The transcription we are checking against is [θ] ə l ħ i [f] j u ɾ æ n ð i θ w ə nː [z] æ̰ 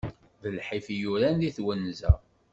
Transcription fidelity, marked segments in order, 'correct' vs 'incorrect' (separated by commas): incorrect, correct, correct